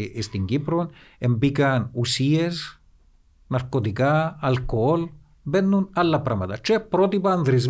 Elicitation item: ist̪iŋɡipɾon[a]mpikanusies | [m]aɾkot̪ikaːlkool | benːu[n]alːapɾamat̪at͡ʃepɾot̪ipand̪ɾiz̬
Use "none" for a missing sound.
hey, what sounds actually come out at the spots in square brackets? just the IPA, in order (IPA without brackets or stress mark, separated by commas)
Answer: e, n, n